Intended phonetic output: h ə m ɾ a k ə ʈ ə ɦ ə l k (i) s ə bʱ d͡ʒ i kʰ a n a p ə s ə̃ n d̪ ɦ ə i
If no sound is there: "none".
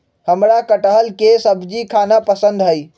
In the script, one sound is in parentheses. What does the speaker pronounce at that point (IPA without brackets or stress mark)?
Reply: e